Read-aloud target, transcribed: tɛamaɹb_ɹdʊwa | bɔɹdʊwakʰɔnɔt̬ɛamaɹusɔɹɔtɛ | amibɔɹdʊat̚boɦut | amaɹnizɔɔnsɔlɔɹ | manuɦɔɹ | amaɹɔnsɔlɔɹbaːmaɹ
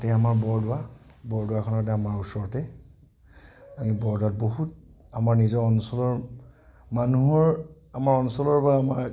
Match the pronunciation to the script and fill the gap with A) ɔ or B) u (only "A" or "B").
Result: A